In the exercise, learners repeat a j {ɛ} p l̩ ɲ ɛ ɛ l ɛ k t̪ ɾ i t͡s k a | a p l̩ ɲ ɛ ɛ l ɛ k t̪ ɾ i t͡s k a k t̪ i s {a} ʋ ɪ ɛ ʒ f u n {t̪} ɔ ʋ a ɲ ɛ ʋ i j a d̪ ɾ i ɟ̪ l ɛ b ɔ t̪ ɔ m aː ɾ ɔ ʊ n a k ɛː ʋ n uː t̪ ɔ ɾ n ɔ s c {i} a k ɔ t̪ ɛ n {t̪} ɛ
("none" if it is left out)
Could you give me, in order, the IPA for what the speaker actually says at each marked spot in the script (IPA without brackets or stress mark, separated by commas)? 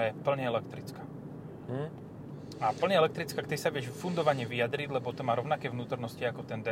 ɛ, a, d̪, i, d̪